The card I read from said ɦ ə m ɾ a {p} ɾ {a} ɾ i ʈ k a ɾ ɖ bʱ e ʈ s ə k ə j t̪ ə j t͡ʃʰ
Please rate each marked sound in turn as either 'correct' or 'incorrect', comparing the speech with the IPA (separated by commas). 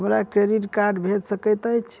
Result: incorrect, incorrect